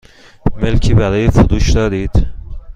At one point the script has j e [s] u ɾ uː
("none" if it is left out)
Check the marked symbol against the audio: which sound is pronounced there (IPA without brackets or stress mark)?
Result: f